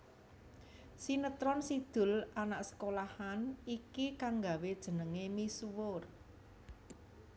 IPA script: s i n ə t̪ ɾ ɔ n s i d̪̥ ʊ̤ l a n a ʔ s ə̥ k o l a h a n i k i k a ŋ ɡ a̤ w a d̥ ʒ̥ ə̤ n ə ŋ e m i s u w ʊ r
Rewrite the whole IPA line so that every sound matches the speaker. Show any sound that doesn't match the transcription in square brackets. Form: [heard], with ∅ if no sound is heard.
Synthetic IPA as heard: s i n ə t̪ ɾ ɔ n s i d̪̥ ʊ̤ l a n a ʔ s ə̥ k o l a h a n i k i k a ŋ ɡ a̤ w [e] d̥ ʒ̥ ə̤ n ə ŋ e m i s u w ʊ r